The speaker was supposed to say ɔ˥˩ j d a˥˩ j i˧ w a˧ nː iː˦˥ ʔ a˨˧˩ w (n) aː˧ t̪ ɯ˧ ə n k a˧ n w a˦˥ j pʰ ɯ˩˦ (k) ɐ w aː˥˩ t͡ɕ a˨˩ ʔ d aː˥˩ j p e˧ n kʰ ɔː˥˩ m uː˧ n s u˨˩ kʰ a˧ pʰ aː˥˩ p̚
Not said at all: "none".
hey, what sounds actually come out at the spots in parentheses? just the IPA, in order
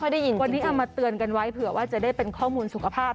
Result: m, none

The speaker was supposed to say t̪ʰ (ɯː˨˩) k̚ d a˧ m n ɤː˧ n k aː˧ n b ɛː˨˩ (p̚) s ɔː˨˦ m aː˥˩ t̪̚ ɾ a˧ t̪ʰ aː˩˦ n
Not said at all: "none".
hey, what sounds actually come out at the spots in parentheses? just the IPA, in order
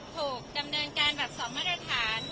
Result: uː˨˩, p̚

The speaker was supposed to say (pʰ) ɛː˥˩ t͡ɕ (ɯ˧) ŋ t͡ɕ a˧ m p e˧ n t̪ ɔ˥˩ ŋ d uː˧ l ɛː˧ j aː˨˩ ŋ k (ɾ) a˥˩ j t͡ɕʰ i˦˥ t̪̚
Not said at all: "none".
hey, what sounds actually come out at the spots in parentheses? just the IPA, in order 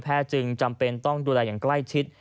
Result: pʰ, ɯ˧, l

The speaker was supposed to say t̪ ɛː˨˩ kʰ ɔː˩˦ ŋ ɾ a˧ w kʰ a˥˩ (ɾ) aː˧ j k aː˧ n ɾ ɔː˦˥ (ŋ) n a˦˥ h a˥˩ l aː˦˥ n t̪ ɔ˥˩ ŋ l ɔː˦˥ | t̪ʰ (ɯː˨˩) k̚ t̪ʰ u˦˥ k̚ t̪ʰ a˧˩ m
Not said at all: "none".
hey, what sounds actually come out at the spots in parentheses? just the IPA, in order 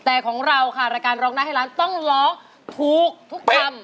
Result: ɾ, ŋ, uː˨˩

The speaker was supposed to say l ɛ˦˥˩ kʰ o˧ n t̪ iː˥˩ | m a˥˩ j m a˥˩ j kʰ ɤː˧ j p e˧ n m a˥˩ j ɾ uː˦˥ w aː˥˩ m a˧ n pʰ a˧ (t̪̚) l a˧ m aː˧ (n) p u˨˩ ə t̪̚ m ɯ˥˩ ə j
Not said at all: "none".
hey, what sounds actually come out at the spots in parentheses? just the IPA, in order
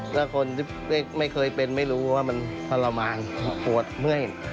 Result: none, n

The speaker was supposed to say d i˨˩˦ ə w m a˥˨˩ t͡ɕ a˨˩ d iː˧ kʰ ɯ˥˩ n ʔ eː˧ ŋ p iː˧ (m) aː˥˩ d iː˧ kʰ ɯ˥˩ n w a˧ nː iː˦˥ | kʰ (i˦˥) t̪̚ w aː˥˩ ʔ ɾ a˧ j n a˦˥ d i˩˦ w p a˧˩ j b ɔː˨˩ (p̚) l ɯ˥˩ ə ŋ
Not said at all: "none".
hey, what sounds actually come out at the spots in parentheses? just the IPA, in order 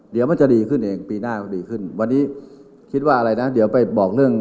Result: n, i˦˥, k̚

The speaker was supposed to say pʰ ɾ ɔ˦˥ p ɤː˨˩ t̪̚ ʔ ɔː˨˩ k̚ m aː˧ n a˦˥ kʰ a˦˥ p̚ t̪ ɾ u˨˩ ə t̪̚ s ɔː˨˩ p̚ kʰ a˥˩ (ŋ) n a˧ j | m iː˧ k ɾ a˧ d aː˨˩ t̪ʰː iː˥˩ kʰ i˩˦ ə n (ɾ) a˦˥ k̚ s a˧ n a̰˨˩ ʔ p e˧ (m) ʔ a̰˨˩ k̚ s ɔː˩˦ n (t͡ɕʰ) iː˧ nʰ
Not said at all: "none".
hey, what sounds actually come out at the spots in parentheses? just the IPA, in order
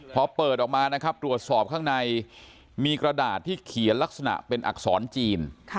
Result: ŋ, l, n, t͡ɕ

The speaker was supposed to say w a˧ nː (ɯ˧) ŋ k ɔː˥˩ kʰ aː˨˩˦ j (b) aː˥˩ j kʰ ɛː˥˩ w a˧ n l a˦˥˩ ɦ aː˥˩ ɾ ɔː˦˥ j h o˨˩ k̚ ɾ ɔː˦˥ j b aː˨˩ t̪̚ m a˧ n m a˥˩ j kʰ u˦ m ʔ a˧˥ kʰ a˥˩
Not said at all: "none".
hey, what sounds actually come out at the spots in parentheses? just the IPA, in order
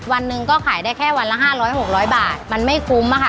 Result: ɯ˧, d

